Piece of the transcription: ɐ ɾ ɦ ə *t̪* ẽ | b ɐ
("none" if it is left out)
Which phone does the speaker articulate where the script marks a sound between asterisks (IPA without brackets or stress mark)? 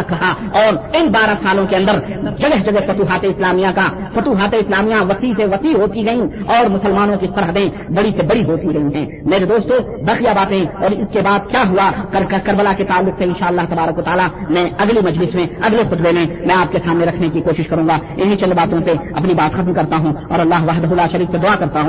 d̪